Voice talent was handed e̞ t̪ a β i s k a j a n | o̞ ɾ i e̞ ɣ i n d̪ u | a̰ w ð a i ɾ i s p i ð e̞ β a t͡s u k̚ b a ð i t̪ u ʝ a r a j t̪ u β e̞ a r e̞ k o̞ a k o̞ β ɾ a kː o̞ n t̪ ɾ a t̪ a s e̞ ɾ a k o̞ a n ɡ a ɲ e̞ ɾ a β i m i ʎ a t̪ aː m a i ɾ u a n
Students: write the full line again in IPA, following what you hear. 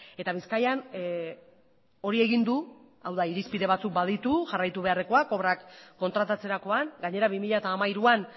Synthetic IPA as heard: e̞ t̪ a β i s k a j a n | o̞ ɾ i e̞ ɣ i n d̪ u | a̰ w ð a i ɾ i s p i ð e̞ β a t͡s u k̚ b a ð i t̪ u ʝ a r a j t̪ u β e̞ a r e̞ k o̞ a k o̞ β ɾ a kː o̞ n t̪ ɾ a t̪ a t͡s e̞ ɾ a k o̞ a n ɡ a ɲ e̞ ɾ a β i m i ʎ a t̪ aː m a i ɾ u a n